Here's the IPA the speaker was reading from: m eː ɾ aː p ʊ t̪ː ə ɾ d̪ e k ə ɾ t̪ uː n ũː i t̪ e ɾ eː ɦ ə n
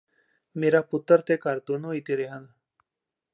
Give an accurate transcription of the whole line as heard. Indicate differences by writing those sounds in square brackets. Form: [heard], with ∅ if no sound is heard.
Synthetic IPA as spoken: m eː ɾ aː p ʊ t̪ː ə ɾ [t̪] e k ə ɾ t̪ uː n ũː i t̪ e ɾ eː ɦ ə n